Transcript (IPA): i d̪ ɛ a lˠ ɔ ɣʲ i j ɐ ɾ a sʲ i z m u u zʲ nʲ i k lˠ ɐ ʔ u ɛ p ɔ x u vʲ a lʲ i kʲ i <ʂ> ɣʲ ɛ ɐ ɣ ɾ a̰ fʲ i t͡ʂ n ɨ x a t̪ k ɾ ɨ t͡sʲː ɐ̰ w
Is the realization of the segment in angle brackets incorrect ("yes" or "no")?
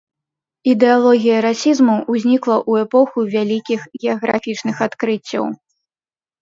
yes